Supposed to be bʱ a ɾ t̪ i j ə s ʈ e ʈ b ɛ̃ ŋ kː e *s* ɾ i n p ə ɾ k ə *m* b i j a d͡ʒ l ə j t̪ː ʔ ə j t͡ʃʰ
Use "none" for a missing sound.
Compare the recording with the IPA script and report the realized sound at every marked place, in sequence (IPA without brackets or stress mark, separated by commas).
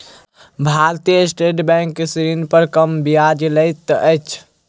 s, m